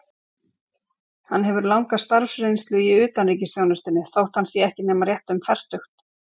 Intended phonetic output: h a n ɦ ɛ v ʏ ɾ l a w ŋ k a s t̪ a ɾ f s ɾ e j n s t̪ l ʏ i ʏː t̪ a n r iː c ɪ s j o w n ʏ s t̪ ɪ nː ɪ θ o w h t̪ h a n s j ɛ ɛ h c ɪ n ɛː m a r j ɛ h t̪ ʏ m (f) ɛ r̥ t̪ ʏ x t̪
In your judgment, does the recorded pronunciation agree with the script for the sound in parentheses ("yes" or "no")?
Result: yes